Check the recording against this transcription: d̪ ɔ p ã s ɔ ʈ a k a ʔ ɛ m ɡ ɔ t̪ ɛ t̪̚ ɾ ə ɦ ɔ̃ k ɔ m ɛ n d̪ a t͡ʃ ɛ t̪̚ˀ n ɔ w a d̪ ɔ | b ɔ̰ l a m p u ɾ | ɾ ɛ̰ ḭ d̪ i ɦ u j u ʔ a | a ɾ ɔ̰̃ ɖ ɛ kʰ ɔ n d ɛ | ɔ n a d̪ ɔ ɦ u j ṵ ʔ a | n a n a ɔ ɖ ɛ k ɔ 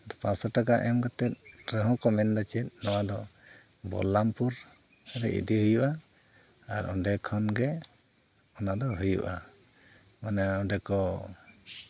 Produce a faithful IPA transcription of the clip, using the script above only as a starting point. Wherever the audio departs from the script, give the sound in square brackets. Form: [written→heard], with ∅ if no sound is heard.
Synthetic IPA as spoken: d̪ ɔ p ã s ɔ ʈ a k a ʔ ɛ m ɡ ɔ t̪ ɛ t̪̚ ɾ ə ɦ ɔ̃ k ɔ m ɛ n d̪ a t͡ʃ ɛ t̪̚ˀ n ɔ w a d̪ ɔ | b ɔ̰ l a m p u ɾ | ɾ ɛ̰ ḭ d̪ i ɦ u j u ʔ a | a ɾ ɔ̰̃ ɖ ɛ kʰ ɔ n [d→ɡ] ɛ | ɔ n a d̪ ɔ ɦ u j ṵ ʔ a | [n→m] a n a ɔ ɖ ɛ k ɔ